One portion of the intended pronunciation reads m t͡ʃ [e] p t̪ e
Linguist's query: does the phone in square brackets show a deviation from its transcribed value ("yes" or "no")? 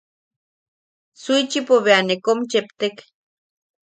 no